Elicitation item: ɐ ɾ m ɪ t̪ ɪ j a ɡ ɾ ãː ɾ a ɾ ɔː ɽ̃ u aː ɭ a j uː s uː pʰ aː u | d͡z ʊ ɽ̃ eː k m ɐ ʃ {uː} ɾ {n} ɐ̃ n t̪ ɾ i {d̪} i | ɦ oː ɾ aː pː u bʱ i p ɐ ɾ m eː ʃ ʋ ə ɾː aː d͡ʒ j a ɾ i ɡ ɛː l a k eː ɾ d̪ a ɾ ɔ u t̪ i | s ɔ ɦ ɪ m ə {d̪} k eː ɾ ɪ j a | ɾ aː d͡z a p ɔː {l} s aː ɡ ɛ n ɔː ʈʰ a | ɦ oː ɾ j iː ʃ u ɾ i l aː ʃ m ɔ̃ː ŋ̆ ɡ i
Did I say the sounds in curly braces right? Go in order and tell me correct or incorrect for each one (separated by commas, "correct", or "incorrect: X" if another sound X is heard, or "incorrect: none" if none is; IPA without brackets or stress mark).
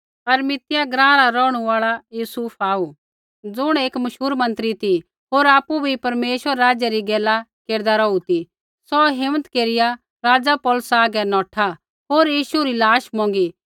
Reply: correct, incorrect: m, incorrect: t̪, incorrect: t̪, correct